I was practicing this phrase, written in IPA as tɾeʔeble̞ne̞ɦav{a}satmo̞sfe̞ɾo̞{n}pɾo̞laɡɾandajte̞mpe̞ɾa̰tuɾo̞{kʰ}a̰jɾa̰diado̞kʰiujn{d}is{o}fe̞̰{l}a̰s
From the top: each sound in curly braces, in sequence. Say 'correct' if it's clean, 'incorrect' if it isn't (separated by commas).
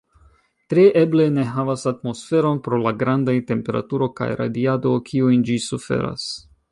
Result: correct, correct, incorrect, incorrect, incorrect, incorrect